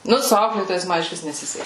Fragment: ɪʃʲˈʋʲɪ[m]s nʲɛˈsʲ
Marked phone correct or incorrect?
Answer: incorrect: none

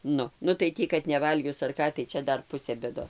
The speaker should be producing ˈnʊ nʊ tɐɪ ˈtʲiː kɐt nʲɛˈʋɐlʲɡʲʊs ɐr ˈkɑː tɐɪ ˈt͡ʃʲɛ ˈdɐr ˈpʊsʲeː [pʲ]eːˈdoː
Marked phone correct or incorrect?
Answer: incorrect: bʲ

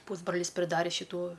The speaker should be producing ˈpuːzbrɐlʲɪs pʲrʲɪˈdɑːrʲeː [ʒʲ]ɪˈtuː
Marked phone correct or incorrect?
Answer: incorrect: ʃʲ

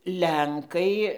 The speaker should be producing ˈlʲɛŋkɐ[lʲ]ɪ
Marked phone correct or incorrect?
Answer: incorrect: none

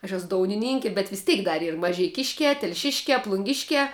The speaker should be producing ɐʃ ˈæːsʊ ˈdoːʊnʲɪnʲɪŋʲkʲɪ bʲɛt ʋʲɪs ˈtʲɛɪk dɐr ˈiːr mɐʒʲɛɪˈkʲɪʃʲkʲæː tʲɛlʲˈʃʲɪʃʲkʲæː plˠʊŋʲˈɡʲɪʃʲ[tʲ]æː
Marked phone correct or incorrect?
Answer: incorrect: kʲ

